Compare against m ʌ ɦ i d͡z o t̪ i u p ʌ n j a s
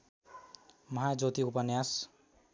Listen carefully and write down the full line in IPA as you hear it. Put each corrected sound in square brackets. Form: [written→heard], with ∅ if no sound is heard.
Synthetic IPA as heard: m ʌ ɦ [i→a] d͡z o t̪ i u p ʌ n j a s